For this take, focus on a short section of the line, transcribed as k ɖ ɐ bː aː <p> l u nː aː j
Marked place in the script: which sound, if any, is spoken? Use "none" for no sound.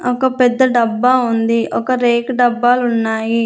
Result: none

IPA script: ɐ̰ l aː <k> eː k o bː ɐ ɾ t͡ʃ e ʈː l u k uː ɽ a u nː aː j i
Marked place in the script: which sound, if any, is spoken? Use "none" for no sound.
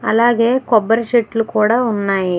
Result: ɡ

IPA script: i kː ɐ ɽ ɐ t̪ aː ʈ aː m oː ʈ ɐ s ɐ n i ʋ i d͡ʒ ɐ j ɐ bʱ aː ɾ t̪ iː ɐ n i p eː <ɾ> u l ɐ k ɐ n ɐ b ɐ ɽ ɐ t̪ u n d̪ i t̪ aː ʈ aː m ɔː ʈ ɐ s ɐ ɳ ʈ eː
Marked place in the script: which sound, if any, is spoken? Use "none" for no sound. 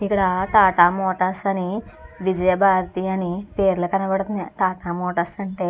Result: ɾ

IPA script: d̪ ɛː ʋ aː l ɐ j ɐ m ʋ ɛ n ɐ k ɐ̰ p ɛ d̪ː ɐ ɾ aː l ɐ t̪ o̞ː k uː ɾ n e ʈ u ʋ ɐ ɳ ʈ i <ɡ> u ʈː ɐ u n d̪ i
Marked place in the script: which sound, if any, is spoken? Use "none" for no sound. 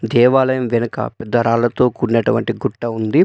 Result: ɡ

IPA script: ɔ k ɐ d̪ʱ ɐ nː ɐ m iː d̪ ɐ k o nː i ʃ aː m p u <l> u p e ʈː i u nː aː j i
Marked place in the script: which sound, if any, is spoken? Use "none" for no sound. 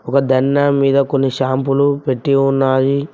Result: l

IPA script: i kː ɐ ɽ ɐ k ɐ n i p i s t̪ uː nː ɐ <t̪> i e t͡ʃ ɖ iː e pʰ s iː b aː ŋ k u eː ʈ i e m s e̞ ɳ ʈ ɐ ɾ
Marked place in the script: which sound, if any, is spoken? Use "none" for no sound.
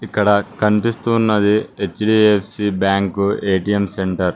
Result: d̪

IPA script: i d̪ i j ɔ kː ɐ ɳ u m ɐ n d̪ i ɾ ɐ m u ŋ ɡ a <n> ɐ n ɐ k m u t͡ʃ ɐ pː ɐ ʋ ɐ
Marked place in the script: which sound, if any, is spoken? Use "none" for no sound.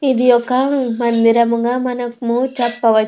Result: m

